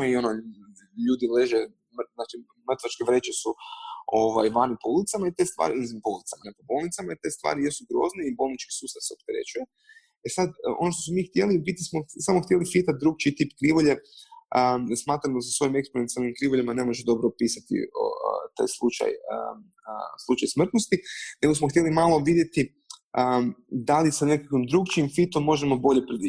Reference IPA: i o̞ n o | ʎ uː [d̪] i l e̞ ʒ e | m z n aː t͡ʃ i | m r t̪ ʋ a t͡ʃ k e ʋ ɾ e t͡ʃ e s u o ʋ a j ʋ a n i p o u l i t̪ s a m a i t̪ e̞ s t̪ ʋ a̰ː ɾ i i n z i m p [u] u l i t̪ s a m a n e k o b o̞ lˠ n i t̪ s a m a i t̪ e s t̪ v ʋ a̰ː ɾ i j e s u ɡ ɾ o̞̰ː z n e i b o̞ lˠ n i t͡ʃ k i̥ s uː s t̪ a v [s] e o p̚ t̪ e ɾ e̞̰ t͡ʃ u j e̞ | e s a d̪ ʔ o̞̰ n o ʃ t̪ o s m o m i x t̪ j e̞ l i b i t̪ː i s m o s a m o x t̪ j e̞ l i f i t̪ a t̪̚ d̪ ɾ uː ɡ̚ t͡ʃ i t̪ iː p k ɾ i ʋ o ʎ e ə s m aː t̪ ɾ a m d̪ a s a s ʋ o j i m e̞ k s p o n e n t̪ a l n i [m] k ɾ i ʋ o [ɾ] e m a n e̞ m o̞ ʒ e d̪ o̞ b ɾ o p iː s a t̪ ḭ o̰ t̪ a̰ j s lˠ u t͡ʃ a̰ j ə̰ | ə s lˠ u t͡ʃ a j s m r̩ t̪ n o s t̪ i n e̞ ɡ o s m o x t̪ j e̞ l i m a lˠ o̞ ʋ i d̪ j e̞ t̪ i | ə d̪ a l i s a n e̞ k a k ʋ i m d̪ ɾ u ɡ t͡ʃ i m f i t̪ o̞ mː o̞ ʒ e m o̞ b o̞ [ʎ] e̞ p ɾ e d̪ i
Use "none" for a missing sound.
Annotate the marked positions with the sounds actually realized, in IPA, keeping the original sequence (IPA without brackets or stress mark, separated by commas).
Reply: d̪, o, s, m, ʎ, ʎ